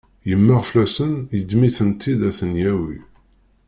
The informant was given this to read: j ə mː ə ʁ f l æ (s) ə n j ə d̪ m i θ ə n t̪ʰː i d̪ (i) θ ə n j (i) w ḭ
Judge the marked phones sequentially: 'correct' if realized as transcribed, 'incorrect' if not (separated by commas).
correct, incorrect, incorrect